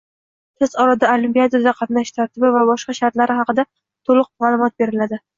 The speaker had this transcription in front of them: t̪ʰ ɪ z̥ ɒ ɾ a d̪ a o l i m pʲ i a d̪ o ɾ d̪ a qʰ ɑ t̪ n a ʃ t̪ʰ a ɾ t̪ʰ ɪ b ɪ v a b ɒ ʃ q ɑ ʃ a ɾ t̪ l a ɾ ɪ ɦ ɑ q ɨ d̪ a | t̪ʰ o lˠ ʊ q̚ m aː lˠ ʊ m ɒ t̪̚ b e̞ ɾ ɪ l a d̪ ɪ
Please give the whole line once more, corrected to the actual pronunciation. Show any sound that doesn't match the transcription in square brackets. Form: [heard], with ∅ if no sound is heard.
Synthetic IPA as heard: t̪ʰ ɪ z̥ ɒ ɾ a d̪ a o l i m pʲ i a d̪ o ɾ d̪ a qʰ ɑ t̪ n a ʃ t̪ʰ a ɾ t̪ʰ ɪ b ɪ v a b ɒ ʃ q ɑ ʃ a ɾ t̪ l a ɾ ɪ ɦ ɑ q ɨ d̪ a | t̪ʰ o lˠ ʊ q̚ m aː lˠ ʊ m ɒ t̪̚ b e̞ ɾ ɪ l a d̪ ɪ